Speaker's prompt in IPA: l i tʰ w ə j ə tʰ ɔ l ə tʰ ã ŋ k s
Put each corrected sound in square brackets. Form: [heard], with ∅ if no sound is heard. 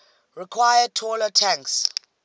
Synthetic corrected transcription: [ɹ] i [kʰ] w [a] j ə tʰ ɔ l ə tʰ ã ŋ k s